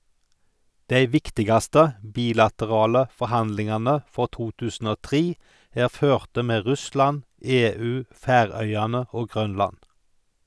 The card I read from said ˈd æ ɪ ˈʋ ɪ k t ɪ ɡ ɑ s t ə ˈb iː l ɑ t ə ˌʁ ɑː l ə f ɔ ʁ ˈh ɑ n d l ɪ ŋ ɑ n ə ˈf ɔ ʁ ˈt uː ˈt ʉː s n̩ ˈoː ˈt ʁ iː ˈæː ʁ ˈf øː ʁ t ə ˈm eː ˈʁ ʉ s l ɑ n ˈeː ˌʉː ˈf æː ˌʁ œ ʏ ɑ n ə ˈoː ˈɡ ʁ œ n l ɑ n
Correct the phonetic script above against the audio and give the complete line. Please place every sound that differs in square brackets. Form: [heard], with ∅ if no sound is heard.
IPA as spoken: ˈd æ ɪ ˈʋ ɪ k t ɪ ɡ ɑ s t ə ˈb iː l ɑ t ə ˌʁ ɑː l ə f ɔ ʁ ˈh ɑ n d l ɪ ŋ ɑ n ə ˈf ɔ ʁ ˈt uː ˈt ʉː s n̩ ˈoː ˈt ʁ iː ˈæː ʁ ˈf øː ʁ t ə ˈm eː ˈʁ ʉ s l ɑ n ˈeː ˌʉː ˈf æː ˌʁ œ ʏ ɑ n ə ˈoː ˈɡ ʁ œ n l ɑ n